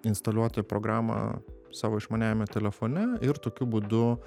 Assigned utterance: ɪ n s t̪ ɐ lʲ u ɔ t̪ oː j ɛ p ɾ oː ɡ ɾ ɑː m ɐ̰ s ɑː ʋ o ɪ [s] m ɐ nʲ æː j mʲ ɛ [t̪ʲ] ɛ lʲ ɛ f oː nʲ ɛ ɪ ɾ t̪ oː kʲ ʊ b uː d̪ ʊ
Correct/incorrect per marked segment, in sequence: incorrect, correct

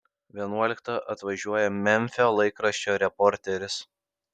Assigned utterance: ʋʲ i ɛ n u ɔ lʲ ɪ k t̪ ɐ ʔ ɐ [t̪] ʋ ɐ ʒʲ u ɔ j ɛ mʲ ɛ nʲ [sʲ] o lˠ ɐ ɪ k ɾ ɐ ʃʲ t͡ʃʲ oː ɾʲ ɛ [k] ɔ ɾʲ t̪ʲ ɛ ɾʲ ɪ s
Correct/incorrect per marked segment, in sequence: correct, incorrect, incorrect

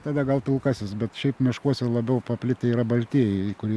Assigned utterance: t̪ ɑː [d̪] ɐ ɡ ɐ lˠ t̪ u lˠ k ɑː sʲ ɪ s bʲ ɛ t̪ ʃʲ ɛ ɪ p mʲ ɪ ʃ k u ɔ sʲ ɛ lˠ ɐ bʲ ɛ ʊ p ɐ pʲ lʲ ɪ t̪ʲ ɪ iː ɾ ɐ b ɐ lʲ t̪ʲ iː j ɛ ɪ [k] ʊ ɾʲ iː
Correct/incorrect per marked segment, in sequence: correct, correct

